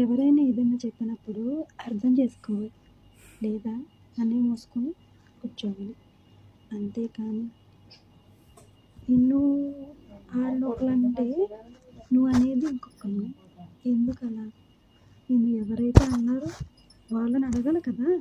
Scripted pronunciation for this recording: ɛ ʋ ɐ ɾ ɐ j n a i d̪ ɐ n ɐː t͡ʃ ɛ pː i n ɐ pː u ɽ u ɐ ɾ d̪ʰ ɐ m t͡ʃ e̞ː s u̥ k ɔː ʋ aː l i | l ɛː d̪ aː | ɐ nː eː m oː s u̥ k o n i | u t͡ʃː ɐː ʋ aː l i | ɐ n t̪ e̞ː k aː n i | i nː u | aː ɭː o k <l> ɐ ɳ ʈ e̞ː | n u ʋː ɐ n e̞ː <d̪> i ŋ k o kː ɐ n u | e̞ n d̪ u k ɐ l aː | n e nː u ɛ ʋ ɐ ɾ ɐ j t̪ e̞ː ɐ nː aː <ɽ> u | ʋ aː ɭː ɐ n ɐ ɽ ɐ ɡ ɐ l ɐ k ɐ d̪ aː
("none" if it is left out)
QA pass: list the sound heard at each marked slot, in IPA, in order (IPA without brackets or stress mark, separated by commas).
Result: l, d̪, ɾ